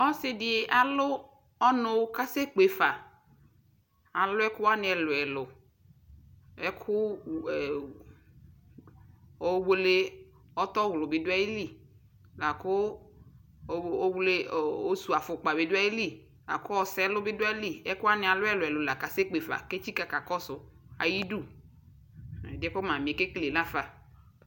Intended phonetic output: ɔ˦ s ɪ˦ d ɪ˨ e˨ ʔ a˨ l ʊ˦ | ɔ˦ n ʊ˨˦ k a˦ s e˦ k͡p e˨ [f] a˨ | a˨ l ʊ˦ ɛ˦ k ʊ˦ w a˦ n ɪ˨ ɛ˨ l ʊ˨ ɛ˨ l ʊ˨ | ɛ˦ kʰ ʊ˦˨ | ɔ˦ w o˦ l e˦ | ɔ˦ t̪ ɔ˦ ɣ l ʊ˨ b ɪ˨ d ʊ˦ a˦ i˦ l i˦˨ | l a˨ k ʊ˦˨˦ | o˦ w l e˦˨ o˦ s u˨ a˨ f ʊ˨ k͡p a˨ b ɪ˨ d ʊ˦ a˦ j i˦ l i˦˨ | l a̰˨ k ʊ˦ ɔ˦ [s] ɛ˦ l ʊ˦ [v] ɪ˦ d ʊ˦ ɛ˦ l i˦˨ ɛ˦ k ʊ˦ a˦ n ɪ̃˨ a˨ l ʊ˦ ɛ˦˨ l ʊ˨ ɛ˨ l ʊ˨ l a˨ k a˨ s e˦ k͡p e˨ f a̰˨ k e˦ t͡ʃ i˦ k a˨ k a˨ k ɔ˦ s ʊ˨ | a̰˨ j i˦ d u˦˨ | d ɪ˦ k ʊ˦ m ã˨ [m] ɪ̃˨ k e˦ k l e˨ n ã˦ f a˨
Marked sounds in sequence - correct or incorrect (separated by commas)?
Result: correct, correct, incorrect, correct